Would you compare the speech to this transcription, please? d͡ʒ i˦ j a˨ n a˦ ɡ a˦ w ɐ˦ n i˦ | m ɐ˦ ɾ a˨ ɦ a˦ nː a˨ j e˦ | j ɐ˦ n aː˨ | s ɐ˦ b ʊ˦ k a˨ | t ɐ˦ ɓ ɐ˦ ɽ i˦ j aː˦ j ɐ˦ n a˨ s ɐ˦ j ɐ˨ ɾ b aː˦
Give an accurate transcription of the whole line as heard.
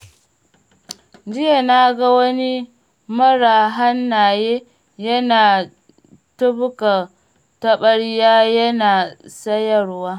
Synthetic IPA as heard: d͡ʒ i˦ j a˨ n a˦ ɡ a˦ w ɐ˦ n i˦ | m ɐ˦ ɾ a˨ ɦ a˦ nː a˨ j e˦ | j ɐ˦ n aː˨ | t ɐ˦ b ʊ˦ k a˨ | t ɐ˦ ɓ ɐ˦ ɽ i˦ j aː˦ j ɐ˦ n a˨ s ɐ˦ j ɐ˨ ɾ w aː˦